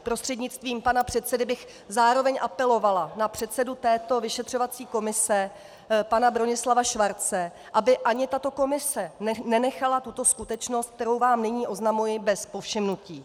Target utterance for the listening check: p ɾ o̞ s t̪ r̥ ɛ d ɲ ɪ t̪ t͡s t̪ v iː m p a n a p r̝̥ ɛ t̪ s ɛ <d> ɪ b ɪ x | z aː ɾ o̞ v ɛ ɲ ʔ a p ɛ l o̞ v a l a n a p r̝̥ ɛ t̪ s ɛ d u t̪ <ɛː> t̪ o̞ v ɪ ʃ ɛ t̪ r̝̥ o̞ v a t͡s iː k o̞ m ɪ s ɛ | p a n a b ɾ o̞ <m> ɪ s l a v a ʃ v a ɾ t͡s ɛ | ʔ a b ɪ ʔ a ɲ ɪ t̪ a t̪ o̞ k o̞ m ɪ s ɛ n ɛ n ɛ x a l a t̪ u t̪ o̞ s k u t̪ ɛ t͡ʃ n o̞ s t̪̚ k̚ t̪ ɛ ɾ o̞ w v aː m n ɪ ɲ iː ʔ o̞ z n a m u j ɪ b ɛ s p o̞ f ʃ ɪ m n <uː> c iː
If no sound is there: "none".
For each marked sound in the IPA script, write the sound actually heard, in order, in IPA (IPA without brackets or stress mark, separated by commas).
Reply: d, ɛː, ɲ, u